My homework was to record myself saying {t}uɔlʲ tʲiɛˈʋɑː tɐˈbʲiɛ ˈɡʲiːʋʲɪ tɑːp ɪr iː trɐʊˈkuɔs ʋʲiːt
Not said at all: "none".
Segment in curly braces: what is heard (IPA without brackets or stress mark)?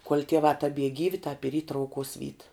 k